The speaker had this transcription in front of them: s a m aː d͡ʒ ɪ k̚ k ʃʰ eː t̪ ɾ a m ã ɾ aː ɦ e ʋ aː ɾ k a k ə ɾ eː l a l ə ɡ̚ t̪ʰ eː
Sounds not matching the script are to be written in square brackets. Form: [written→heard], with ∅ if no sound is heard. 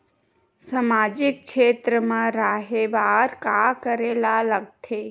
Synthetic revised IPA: s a m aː d͡ʒ ɪ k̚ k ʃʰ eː t̪ ɾ [a→ə] m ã ɾ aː ɦ e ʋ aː ɾ k a k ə ɾ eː l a l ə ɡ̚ t̪ʰ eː